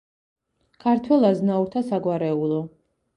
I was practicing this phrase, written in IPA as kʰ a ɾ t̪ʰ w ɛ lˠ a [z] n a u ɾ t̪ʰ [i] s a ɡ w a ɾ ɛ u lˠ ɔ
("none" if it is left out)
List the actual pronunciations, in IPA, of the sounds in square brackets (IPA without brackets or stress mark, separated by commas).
z, a